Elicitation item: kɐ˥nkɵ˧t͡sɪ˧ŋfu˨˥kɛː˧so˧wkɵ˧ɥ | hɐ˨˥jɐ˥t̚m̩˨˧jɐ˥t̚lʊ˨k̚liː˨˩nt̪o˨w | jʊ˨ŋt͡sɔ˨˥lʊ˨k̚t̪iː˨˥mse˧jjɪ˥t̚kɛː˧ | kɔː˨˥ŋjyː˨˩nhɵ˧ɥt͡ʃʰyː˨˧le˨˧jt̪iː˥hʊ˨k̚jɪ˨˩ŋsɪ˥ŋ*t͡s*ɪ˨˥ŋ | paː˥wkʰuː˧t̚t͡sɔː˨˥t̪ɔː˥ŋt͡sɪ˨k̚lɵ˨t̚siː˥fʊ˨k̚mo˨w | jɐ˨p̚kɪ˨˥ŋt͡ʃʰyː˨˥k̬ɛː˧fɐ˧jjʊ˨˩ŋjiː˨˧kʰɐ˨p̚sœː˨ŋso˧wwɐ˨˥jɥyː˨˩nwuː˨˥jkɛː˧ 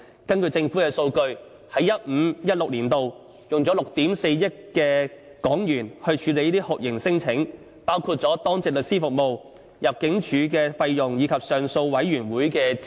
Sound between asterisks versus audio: incorrect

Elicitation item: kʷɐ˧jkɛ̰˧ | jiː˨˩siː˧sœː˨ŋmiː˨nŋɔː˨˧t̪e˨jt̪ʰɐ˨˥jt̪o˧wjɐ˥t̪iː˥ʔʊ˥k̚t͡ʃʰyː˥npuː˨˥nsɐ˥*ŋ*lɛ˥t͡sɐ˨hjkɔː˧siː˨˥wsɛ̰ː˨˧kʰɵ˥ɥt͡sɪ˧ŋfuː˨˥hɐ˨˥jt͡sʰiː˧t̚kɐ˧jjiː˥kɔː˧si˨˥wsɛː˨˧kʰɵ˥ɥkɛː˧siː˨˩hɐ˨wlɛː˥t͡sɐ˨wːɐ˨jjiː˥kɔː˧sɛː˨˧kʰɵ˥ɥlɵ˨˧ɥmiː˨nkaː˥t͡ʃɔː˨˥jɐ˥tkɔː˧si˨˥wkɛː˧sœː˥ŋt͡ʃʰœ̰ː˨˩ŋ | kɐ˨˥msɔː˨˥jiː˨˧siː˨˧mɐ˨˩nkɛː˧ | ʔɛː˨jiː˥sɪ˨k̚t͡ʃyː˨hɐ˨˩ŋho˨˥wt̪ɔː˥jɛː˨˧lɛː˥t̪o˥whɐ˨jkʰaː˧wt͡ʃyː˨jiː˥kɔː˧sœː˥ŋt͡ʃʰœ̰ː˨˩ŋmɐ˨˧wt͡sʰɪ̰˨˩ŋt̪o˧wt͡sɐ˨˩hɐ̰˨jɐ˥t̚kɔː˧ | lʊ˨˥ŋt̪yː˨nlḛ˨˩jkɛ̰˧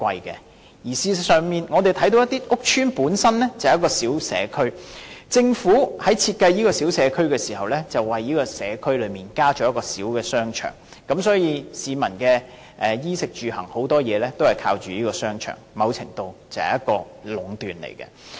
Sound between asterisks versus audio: incorrect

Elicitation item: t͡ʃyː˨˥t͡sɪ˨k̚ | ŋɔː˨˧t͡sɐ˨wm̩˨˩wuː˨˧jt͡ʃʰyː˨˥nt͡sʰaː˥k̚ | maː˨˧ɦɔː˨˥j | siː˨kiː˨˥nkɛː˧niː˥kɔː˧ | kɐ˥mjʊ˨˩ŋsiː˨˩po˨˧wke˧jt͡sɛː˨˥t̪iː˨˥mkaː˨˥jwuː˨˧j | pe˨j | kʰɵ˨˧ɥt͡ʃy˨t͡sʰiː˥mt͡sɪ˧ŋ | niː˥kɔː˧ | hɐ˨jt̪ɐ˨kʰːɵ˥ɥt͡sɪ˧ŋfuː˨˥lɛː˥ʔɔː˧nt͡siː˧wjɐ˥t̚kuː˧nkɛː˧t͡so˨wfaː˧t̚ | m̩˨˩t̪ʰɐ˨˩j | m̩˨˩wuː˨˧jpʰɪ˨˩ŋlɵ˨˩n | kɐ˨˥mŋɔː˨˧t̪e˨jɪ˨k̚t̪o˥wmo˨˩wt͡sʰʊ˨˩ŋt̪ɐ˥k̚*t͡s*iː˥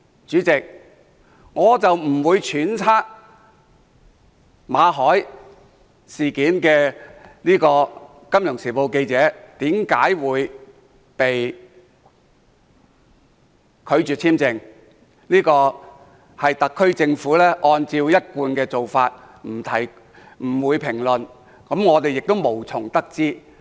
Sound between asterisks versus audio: correct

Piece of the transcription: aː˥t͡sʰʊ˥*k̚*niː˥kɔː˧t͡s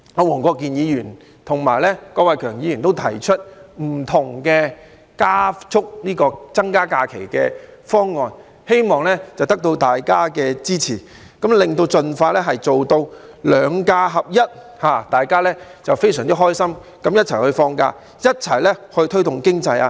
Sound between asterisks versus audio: correct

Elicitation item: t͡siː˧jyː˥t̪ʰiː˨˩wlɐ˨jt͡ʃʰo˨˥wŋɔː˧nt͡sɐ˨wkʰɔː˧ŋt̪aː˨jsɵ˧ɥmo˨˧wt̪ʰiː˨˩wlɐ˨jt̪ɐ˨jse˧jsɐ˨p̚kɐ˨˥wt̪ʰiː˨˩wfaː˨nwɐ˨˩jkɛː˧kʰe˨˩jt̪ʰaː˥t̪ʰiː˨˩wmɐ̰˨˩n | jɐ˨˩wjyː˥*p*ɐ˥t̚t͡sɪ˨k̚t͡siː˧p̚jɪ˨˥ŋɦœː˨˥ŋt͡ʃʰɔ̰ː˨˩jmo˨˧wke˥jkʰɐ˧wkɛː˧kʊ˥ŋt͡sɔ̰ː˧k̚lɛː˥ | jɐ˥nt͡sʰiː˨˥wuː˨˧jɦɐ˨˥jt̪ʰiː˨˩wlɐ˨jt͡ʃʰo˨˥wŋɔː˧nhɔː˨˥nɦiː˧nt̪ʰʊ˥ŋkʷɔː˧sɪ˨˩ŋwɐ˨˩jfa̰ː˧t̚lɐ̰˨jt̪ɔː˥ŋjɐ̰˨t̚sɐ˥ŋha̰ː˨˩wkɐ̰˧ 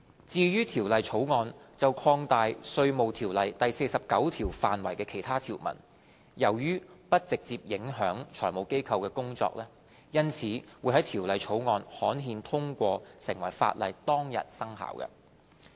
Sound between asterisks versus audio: correct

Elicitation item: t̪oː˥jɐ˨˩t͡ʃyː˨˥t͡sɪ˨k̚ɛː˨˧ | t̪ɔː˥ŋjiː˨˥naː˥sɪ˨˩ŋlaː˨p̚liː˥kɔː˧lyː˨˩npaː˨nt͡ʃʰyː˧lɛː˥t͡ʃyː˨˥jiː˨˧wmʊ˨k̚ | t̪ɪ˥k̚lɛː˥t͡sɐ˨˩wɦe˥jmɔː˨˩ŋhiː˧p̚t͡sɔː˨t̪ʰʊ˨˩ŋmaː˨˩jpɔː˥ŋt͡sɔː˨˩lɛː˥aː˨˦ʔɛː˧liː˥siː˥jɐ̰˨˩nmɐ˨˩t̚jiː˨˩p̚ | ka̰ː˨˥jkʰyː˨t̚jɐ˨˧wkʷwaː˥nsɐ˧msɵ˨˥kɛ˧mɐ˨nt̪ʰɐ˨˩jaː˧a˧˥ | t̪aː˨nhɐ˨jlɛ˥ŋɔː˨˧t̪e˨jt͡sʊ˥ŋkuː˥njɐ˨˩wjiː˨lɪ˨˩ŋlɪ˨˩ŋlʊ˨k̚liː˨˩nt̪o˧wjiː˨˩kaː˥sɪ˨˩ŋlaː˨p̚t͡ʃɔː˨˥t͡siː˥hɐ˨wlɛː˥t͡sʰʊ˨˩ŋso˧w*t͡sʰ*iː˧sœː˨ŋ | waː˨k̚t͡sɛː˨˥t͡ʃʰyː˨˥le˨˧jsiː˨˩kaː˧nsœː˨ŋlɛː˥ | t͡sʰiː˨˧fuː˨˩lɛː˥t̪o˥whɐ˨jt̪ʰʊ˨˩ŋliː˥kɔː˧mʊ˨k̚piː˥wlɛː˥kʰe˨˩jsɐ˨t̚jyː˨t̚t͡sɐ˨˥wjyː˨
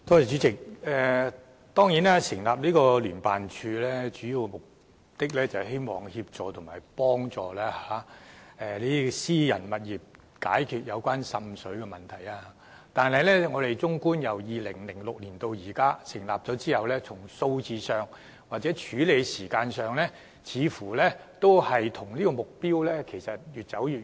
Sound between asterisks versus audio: incorrect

